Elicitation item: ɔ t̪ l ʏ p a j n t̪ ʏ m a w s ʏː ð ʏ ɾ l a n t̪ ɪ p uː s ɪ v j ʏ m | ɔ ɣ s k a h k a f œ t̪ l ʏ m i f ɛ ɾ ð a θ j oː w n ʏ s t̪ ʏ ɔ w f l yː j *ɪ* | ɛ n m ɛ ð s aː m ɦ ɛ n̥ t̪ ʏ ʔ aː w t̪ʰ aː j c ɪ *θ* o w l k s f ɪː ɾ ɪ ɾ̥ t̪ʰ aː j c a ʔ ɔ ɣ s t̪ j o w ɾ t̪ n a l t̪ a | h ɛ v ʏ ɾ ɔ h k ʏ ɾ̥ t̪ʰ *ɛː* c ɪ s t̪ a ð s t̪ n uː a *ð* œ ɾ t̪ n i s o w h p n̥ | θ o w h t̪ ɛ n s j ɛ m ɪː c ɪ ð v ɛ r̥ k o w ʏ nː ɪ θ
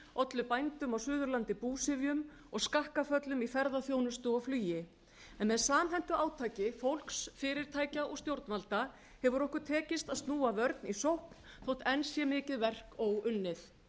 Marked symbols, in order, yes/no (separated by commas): yes, no, yes, no